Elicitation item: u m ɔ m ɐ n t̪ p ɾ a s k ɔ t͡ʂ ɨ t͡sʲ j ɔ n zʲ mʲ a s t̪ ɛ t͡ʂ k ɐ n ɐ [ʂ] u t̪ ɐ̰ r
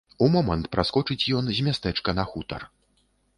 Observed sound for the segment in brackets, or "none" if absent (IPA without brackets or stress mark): x